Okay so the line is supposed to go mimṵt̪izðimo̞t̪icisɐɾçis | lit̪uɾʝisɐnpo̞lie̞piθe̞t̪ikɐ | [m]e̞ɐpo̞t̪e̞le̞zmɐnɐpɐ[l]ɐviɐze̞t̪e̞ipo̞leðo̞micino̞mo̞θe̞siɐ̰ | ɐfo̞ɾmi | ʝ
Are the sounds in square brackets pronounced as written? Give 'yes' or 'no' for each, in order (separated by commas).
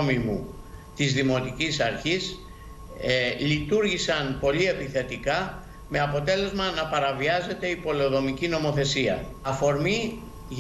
yes, no